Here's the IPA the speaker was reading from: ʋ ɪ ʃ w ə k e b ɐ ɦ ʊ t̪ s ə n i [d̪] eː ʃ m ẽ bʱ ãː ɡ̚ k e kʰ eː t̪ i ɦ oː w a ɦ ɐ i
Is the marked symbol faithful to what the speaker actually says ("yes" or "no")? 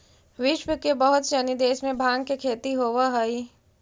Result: yes